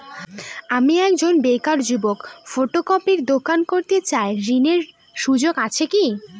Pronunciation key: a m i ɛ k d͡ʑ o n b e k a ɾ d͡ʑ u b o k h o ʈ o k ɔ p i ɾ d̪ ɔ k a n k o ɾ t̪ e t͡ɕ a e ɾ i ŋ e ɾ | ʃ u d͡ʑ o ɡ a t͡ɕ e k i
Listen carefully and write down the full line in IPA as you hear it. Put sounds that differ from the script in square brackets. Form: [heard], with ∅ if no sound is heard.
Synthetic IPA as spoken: a m i ɛ k d͡ʑ o n b e k a ɾ d͡ʑ u b o k [f] o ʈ o k ɔ p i ɾ d̪ [o] k a n k o ɾ t̪ e t͡ɕ a e ɾ i [n] e ɾ | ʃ u d͡ʑ o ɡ a [t͡ɕʰ] e k i